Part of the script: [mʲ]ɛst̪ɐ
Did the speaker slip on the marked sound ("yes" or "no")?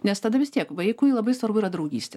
yes